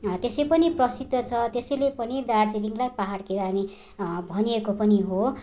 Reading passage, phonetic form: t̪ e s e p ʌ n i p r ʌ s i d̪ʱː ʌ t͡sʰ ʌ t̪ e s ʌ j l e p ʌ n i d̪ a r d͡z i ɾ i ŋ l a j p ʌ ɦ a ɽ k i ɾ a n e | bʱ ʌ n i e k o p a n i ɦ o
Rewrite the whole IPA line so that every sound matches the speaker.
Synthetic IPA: t̪ e s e p ʌ n i p r ʌ s i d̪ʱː ʌ t͡sʰ ʌ t̪ e s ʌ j l e p ʌ n i d̪ a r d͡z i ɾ i ŋ l a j p a ɦ a ɽ k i ɾ a n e | bʱ ʌ n i e k o p ʌ n i ɦ o